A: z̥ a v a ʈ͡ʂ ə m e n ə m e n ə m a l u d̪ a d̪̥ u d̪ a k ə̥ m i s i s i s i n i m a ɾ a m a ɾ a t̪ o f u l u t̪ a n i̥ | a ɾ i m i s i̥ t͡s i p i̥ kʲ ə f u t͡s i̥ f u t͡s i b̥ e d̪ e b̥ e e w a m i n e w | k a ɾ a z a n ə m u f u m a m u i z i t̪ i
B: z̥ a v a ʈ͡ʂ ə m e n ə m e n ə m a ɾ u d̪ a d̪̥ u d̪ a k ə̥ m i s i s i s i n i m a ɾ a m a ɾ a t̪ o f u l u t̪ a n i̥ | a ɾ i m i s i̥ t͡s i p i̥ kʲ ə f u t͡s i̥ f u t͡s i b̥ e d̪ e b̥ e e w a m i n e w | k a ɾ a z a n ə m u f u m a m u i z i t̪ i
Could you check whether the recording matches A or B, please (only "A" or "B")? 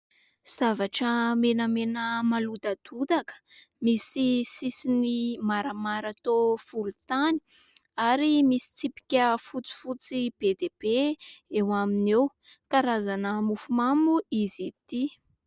A